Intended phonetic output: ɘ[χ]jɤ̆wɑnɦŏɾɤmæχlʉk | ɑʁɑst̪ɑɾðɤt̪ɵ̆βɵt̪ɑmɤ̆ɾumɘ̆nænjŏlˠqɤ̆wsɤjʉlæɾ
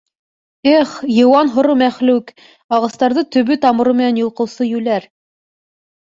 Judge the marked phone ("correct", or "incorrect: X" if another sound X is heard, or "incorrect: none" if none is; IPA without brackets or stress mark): correct